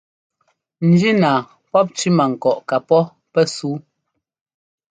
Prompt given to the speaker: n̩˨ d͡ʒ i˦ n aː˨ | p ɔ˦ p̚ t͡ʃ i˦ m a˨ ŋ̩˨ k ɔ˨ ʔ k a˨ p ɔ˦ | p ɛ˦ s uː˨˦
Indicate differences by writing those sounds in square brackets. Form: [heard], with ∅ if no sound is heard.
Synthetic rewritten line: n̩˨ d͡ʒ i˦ n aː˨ | p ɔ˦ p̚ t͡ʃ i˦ m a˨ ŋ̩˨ k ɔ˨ ʔ k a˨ p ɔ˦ | p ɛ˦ s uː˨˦

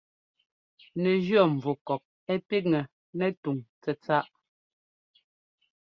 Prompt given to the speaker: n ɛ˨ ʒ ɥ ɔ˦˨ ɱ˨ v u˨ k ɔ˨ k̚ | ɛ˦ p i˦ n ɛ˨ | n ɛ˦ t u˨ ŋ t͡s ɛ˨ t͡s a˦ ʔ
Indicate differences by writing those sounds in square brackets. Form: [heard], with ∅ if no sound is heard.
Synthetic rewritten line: n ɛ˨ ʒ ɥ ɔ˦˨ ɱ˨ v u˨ k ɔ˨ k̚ | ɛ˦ p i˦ [ŋ] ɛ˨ | n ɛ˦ t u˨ ŋ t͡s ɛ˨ t͡s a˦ ʔ

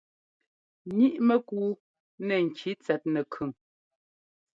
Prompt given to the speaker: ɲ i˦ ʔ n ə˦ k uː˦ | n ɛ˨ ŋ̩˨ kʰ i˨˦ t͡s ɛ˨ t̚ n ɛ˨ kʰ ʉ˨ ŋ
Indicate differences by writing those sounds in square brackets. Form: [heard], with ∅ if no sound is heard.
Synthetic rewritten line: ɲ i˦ ʔ [m] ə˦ k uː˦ | n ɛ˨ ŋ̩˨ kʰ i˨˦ t͡s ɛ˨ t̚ n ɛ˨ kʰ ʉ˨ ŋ

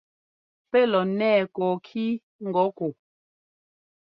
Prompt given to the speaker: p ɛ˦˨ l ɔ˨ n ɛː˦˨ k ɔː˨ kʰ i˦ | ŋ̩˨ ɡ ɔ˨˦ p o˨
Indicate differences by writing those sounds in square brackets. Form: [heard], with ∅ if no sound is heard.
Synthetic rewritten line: p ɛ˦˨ l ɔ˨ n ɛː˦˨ k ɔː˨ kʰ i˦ | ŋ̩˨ ɡ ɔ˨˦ [k] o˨

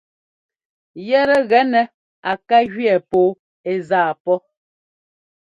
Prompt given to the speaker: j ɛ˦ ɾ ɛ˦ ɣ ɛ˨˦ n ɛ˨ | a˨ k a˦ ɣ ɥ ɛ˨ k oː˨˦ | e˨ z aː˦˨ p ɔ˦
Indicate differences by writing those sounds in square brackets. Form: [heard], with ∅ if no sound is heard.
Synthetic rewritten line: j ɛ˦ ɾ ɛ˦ ɣ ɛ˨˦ n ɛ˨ | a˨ k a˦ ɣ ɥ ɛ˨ [p] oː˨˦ | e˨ z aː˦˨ p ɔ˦

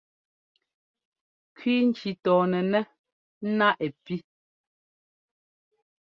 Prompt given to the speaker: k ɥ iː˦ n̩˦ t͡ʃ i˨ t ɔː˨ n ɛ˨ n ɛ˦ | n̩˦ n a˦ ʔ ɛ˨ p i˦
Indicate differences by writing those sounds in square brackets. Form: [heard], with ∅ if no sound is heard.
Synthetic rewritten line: k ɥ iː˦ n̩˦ t͡ʃ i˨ t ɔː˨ n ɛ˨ n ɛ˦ | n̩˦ n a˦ ʔ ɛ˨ p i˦

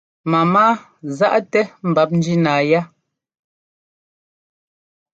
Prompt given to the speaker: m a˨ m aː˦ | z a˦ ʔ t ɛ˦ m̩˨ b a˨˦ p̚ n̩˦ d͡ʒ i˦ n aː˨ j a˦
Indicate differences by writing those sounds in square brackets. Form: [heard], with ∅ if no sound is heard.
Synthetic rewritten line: m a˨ m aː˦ | z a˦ ʔ t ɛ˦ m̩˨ b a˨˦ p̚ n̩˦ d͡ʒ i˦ n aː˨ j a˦

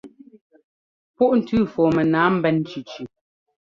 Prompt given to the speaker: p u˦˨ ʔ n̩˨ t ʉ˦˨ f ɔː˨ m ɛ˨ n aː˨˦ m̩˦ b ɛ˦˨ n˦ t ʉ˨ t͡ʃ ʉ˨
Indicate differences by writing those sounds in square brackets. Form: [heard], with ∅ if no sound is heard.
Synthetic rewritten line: p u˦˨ ʔ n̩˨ t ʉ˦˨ f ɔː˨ m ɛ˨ n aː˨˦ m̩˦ b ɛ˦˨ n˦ [t͡ʃ] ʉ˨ t͡ʃ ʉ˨

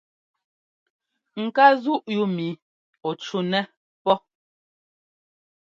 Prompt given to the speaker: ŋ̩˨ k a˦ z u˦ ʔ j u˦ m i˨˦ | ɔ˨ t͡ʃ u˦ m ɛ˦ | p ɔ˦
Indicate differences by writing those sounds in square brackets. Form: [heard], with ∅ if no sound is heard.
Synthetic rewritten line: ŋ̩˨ k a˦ z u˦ ʔ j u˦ m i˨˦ | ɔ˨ t͡ʃ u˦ [n] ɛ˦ | p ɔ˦

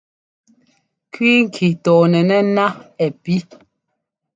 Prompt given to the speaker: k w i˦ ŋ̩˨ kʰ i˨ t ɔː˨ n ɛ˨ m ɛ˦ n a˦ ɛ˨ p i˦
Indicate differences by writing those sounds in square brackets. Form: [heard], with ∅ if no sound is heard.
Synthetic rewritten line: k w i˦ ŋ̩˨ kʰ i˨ t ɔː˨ n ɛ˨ [n] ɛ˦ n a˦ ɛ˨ p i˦

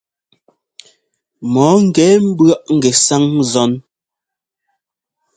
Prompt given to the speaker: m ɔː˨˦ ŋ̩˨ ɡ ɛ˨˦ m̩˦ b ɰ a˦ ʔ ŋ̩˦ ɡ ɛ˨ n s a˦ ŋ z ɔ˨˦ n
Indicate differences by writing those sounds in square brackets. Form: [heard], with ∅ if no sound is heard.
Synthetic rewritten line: m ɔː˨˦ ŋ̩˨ ɡ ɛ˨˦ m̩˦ b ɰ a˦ ʔ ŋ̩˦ ɡ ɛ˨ [∅] s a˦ ŋ z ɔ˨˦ n

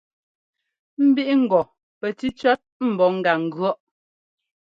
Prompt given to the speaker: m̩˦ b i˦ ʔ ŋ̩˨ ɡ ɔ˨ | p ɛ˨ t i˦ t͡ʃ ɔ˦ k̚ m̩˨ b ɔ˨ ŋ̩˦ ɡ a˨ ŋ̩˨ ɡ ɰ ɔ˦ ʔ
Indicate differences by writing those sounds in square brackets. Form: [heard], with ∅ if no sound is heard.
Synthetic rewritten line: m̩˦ b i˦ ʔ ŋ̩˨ ɡ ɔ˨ | p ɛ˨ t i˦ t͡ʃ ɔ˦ [t̚] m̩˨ b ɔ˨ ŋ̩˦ ɡ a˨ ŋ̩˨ ɡ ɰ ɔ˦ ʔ

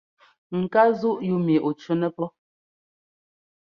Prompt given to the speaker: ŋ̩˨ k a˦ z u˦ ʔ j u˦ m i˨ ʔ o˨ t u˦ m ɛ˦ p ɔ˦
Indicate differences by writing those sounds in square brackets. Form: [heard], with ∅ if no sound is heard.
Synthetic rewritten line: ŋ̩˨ k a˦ z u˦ ʔ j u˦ m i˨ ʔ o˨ [t͡ʃ] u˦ [n] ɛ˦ p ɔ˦

